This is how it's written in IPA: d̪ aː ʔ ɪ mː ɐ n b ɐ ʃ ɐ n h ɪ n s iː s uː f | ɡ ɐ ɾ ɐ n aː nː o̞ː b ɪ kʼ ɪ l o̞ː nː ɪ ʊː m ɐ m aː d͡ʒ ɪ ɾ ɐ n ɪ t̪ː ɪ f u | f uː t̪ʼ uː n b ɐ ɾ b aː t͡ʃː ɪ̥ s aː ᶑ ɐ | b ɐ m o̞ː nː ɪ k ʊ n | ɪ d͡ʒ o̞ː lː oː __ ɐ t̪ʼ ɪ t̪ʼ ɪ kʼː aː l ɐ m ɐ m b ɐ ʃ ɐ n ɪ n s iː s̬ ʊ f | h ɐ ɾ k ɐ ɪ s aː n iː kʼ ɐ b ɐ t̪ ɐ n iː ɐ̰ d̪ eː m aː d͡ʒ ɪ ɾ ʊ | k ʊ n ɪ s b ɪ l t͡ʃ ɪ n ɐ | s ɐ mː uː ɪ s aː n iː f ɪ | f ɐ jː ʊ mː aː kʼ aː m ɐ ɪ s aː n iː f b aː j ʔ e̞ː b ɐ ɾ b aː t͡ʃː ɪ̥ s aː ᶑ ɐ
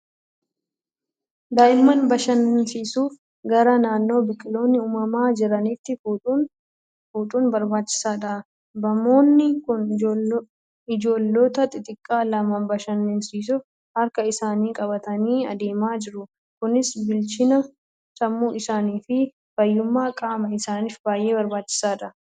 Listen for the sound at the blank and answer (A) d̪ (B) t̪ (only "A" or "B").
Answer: B